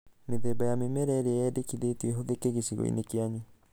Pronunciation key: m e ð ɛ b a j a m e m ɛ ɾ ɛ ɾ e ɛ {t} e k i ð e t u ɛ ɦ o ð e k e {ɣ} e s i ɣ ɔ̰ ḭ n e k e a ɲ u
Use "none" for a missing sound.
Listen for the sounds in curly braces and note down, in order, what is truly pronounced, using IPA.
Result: d, ɣ

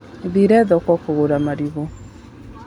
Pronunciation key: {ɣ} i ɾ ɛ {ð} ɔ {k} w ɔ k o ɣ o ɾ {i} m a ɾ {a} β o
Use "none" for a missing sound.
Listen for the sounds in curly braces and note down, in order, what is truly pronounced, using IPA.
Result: ð, ð, k, a, i

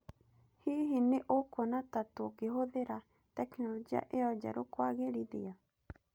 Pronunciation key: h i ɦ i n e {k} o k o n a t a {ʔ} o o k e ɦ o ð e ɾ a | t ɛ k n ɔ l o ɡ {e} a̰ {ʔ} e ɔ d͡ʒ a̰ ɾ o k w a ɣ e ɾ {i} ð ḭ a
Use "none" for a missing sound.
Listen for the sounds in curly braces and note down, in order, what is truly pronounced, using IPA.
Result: ʔ, t, i, ʔ, i

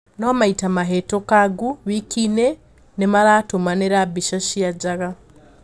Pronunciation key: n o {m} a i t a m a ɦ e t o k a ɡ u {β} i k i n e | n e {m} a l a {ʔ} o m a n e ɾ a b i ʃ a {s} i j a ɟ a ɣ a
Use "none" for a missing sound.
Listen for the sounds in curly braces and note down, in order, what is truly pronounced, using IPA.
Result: m, β, m, t, ʃ

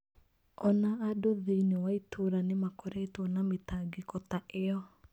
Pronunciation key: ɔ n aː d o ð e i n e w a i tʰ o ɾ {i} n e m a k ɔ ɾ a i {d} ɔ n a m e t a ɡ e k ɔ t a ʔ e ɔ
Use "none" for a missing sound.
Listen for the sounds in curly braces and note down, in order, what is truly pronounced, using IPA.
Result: a, t

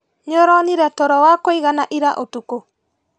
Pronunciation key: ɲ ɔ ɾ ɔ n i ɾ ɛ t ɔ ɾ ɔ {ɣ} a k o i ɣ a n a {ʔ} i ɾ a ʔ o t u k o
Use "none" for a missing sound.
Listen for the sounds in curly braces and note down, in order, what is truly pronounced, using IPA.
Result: w, ʔ

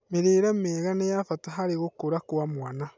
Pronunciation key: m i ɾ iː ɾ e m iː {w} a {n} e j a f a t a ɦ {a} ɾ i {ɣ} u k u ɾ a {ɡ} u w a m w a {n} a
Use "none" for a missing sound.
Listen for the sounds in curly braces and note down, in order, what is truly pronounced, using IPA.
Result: ɣ, n, a, ɣ, k, n

